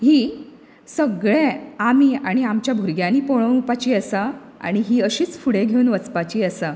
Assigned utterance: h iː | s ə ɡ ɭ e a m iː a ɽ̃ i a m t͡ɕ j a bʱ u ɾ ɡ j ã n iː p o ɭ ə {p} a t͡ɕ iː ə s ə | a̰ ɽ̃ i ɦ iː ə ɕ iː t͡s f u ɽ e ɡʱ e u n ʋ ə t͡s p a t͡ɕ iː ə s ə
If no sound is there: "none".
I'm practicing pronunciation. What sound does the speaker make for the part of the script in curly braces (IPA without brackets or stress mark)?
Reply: p